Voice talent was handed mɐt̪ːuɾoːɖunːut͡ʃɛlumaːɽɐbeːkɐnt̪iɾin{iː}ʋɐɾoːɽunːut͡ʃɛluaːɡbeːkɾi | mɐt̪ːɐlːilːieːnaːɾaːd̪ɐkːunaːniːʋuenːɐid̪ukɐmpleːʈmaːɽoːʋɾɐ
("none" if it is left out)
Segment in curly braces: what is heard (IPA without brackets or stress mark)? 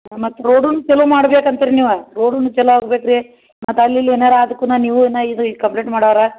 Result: iː